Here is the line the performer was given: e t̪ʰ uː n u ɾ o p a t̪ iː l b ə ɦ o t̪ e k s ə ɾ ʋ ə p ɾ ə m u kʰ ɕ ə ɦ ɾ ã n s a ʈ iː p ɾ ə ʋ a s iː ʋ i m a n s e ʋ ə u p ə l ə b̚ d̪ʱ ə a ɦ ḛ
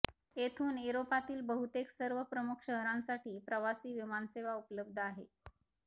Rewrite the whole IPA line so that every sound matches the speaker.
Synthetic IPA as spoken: e t̪ʰ uː n u ɾ o p a t̪ iː l b ə ɦ u t̪ e k s ə ɾ ʋ ə p ɾ ə m u kʰ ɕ ə ɦ ɾ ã n s a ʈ iː p ɾ ə ʋ a s iː ʋ i m a n s e ʋ a u p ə l ə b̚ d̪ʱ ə a ɦ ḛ